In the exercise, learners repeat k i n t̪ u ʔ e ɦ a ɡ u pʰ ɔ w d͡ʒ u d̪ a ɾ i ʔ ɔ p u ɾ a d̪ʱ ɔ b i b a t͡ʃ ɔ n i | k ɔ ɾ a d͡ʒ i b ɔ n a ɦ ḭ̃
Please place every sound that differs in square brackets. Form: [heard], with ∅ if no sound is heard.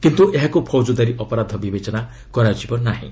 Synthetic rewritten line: k i n t̪ u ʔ e ɦ a [k] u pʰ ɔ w d͡ʒ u d̪ a ɾ i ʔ ɔ p [ɔ] ɾ a d̪ʱ ɔ b i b [e] t͡ʃ ɔ n [a] | k ɔ ɾ a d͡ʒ i b ɔ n a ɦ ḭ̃